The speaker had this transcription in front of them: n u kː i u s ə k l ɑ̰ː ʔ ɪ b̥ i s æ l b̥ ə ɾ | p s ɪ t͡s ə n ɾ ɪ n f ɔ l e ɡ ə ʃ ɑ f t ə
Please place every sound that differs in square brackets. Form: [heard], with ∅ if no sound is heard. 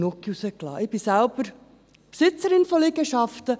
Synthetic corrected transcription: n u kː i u s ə k l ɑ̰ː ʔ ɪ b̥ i s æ l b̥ ə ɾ | p s ɪ t͡s ə [∅] ɾ ɪ n f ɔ l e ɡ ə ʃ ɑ f t ə